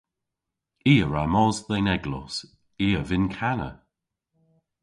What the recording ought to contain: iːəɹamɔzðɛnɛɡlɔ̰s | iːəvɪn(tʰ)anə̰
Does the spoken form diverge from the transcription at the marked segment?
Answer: yes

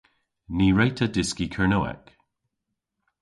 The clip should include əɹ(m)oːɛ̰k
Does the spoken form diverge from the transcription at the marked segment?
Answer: yes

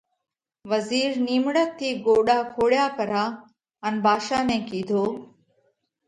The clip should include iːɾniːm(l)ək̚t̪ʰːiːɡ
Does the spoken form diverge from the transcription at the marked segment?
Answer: yes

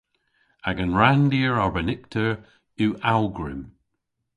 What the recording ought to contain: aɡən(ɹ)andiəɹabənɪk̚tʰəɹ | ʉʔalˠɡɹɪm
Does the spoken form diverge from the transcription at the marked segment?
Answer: no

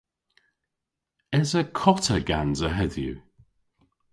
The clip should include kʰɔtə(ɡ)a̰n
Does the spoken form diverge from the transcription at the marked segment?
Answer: no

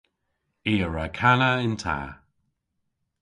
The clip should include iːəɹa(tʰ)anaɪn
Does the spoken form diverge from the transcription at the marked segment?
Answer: yes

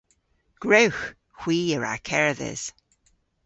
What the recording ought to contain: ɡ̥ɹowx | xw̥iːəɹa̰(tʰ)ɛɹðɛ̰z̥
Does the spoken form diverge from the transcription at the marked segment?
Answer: yes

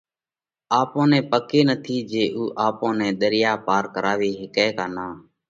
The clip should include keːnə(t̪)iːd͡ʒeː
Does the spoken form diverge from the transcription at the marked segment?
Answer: yes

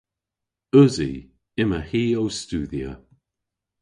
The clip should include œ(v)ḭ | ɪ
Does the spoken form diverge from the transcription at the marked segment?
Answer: yes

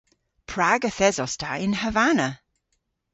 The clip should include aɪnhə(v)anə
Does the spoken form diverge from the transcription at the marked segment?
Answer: no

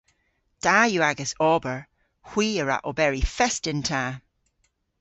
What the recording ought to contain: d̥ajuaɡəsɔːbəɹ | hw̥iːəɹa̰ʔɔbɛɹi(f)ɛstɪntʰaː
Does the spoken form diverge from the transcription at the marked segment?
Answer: no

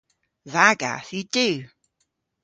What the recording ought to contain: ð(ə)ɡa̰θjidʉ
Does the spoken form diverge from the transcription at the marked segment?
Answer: yes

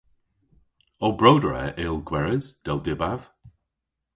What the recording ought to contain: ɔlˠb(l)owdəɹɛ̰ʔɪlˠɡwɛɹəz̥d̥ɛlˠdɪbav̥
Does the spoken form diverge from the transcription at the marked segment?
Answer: yes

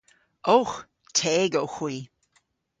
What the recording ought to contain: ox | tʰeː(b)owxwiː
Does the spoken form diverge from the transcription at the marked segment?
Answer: yes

